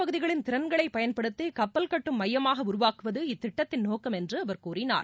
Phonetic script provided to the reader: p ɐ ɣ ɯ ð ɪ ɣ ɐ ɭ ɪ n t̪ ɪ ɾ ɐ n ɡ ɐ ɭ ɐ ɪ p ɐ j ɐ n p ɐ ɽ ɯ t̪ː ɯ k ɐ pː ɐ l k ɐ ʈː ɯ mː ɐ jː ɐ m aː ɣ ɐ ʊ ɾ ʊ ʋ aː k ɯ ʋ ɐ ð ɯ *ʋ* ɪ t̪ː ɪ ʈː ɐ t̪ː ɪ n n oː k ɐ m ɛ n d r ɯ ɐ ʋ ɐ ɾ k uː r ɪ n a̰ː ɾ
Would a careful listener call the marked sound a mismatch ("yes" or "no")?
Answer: yes